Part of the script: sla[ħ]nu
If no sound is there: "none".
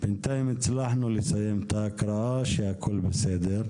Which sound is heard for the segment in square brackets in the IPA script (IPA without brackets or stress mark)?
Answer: ħ